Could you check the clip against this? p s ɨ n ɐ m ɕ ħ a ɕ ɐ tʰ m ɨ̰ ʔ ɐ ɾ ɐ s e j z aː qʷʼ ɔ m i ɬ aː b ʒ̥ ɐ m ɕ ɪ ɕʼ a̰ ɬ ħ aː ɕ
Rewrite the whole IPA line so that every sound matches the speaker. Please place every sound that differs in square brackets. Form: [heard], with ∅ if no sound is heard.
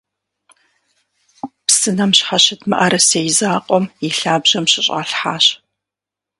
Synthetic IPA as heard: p s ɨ n ɐ m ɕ ħ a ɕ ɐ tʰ m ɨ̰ ʔ ɐ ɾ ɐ s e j z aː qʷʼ ɔ m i ɬ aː b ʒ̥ ɐ m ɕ ɪ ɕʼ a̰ ɬ ħ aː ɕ